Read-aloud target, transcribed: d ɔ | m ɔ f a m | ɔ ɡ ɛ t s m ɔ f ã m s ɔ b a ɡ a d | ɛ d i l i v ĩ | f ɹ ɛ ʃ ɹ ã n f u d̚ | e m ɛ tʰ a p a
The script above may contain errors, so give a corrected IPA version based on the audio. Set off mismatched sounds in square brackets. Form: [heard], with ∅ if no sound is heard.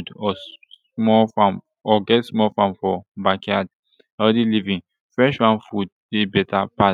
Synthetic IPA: d ɔ | m ɔ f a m | ɔ ɡ ɛ t s m ɔ f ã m [f] ɔ b a [k] a d | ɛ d i l i v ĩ | f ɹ ɛ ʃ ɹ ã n f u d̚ | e [b] ɛ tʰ a p a